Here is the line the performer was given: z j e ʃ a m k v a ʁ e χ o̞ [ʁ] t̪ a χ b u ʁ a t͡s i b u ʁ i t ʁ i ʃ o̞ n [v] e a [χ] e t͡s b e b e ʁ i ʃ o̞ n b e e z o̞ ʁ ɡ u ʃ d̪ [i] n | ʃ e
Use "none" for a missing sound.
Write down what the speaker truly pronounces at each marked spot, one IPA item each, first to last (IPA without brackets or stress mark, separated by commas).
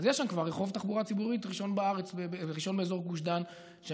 v, b, ʁ, a